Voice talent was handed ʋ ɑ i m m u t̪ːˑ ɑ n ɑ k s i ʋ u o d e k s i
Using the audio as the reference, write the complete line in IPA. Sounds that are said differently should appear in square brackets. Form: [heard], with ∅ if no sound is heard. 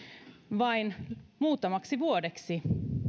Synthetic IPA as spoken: ʋ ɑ i [n] m [uː] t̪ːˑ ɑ [m] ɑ k s i ʋ u o d e k s i

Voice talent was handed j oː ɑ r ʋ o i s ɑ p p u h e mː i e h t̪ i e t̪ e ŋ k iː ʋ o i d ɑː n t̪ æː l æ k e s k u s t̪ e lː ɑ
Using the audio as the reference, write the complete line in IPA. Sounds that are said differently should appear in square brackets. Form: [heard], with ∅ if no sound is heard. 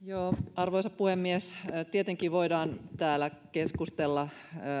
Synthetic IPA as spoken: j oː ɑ r ʋ o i s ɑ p p u h e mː i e [s] t̪ i e t̪ e ŋ k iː ʋ o i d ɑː n t̪ æː l æ k e s k u s t̪ e lː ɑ

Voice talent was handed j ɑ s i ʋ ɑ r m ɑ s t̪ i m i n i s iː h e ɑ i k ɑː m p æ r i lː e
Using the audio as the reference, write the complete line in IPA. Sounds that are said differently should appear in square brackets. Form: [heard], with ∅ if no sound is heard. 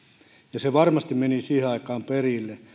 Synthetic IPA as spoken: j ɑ s [e] ʋ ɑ r m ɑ s t̪ i m [e] n i s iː h e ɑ i k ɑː m p [e] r i lː e

